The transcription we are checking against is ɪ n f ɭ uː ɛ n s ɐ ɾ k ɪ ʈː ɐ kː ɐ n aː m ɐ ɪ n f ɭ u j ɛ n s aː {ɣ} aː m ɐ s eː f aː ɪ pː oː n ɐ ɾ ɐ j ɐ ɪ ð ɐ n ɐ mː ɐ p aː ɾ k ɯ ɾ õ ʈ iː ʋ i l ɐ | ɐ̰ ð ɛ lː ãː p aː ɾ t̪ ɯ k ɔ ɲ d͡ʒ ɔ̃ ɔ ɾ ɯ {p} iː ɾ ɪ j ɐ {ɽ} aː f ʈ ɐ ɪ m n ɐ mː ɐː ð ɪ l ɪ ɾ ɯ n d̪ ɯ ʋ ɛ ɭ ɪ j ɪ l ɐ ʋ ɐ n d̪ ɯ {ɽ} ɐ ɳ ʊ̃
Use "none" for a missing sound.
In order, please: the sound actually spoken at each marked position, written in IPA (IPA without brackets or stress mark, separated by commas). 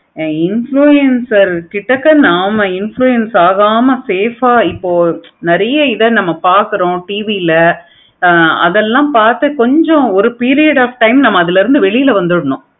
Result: ɣ, p, ɽ, ɽ